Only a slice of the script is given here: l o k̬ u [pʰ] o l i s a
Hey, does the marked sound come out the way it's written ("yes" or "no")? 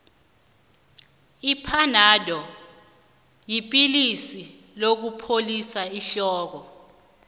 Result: yes